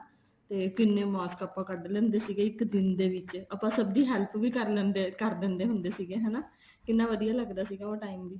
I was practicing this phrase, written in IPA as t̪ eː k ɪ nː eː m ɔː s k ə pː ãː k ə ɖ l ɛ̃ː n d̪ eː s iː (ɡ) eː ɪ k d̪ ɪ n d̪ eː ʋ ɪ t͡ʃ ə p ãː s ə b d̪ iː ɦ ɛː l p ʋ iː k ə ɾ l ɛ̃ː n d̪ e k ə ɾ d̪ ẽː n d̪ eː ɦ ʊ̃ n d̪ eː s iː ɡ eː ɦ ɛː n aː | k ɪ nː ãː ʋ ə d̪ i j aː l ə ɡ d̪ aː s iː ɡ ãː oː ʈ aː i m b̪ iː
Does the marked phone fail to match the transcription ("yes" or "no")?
no